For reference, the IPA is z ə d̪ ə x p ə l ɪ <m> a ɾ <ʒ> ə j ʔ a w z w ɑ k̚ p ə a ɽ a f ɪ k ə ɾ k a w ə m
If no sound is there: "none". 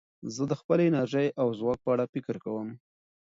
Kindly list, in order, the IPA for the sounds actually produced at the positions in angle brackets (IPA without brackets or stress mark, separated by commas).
n, ʒ